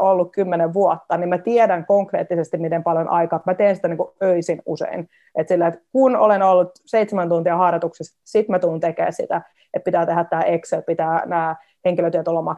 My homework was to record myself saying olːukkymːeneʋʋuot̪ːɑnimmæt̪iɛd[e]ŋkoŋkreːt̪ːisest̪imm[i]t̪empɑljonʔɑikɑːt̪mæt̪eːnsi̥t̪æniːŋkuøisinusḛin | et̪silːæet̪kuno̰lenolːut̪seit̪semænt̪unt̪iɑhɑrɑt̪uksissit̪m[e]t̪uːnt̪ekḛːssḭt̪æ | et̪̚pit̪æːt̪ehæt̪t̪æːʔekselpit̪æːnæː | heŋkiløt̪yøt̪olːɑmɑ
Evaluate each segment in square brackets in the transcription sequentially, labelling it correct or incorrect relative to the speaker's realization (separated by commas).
incorrect, correct, incorrect